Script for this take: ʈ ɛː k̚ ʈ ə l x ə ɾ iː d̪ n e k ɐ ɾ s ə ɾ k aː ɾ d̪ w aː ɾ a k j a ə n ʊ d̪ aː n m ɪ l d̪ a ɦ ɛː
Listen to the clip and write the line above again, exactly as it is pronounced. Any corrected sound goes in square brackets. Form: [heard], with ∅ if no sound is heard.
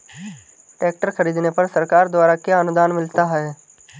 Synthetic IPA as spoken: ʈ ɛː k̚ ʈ ə [ɾ] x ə ɾ iː d̪ n e [p] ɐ ɾ s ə ɾ k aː ɾ d̪ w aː ɾ a k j a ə n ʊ d̪ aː n m ɪ l [t̪] a ɦ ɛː